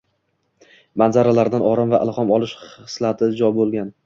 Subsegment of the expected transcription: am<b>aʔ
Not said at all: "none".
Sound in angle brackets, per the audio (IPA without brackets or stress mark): v